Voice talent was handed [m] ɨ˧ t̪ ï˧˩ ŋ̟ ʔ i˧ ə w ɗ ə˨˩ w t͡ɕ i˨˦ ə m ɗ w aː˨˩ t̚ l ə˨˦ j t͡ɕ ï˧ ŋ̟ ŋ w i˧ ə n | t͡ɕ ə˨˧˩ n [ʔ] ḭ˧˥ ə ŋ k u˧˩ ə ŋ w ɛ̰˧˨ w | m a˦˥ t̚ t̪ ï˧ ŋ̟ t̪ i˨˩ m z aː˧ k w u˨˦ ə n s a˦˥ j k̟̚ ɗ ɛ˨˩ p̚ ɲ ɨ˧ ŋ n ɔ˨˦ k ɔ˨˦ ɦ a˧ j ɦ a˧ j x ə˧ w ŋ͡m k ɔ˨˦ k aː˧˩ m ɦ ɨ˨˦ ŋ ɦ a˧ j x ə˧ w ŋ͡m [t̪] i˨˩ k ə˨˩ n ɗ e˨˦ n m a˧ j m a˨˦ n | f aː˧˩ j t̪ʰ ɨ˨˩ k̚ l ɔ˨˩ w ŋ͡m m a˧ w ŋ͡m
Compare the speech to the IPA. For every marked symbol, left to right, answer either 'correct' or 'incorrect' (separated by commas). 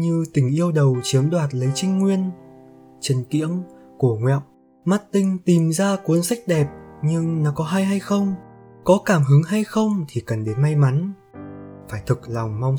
incorrect, incorrect, incorrect